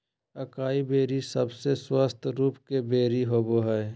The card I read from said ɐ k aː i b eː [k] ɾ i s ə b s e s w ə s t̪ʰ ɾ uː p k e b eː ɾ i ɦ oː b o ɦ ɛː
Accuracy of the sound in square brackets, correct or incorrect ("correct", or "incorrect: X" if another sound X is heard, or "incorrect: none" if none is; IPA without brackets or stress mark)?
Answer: incorrect: none